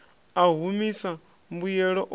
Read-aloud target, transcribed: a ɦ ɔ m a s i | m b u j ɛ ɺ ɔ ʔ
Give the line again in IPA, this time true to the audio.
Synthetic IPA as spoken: a ɦ u m i s a | m b u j ɛ ɺ ɔ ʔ